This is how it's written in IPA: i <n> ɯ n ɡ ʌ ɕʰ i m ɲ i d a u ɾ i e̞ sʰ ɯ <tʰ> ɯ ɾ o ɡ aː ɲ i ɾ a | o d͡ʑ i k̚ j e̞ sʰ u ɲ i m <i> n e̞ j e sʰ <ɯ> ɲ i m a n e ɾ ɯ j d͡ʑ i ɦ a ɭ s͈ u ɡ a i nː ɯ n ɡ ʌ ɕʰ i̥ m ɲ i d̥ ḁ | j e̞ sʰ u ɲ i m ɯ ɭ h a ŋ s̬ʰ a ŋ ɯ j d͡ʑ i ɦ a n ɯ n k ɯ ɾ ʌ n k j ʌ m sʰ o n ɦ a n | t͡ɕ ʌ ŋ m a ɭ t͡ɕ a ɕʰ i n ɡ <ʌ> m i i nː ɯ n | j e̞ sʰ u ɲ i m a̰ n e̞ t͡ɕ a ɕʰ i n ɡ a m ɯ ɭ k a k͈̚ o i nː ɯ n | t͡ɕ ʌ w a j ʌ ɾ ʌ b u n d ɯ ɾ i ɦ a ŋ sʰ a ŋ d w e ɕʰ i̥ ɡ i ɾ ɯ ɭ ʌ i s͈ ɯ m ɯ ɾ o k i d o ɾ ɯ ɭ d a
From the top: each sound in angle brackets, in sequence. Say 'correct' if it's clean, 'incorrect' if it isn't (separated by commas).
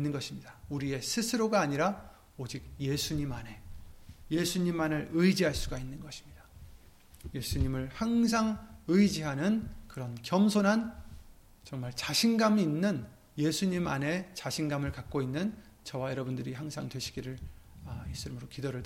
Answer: incorrect, incorrect, incorrect, incorrect, incorrect